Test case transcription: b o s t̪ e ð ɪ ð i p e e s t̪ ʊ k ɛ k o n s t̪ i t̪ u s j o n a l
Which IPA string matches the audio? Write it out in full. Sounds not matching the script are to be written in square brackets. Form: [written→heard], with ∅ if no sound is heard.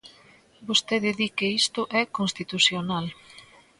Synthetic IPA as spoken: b o s t̪ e ð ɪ ð i [p→k] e [e→i] s t̪ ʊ [k→ʔ] ɛ k o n s t̪ i t̪ u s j o n a l